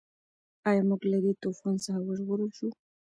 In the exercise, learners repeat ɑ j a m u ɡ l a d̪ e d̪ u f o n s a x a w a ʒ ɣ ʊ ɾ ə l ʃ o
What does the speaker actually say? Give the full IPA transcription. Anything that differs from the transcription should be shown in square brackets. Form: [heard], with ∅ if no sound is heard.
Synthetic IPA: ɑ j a m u ɡ l a d̪ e [t̪] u f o n s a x a w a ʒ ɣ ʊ ɾ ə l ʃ [u]